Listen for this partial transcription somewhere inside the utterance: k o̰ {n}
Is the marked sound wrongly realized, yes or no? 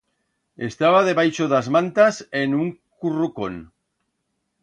no